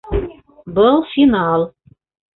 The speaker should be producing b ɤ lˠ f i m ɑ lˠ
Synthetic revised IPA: b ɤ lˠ f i n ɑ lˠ